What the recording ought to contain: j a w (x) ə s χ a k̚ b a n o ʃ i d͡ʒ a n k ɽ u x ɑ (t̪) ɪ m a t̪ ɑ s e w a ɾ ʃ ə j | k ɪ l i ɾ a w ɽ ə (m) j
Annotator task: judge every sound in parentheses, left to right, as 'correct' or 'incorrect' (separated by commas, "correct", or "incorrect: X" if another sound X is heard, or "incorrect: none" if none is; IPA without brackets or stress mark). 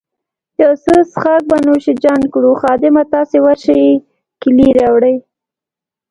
incorrect: s, incorrect: d̪, incorrect: none